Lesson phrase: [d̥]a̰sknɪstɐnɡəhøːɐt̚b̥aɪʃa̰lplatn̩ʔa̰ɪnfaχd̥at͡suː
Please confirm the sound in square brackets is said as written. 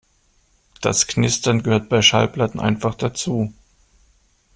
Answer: yes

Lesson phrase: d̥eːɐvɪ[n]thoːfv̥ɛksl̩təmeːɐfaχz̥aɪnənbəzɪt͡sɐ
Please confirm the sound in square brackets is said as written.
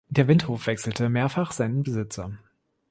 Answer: yes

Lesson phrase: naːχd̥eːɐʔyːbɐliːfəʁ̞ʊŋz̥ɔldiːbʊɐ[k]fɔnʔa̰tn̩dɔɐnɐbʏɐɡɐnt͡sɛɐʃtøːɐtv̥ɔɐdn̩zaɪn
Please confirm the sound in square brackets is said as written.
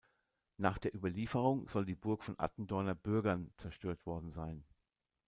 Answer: yes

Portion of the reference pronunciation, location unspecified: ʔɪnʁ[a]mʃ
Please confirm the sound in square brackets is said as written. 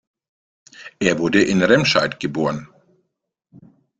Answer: no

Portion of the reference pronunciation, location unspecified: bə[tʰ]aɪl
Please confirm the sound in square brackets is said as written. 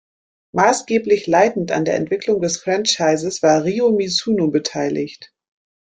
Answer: yes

